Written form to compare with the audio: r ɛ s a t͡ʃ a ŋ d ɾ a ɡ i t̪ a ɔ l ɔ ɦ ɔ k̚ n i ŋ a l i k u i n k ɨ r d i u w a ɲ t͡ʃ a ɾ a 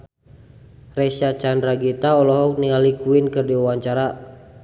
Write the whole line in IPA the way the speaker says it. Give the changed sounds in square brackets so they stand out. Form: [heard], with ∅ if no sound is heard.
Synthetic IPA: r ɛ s a t͡ʃ a [n] d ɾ a ɡ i t̪ a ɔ l ɔ ɦ ɔ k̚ n i ŋ a l i k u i n k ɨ r d i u w a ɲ t͡ʃ a ɾ a